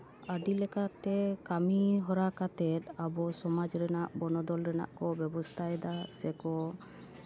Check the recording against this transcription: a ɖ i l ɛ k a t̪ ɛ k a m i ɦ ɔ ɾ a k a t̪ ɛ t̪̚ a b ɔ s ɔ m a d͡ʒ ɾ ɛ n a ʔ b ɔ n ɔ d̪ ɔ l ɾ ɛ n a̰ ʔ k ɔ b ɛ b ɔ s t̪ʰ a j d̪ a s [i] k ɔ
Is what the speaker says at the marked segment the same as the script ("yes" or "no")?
no